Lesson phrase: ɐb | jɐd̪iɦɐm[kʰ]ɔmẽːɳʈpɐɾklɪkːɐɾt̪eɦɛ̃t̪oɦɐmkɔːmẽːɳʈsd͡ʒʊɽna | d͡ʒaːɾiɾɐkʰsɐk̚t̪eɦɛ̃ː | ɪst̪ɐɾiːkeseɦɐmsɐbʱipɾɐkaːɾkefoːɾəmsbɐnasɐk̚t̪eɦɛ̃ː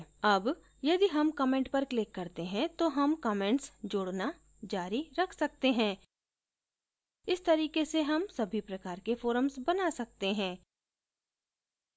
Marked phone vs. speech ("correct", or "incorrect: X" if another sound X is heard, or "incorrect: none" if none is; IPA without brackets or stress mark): incorrect: k